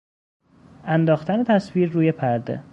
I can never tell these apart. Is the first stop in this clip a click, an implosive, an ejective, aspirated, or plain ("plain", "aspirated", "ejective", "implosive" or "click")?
plain